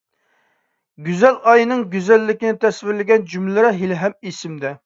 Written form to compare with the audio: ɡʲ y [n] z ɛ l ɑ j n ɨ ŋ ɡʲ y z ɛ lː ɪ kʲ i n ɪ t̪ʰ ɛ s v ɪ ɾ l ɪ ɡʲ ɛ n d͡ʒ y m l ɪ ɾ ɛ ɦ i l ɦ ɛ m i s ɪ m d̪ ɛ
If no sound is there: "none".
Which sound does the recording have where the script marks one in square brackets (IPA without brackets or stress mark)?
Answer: none